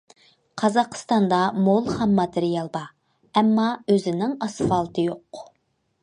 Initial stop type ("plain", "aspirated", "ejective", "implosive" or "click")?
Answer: aspirated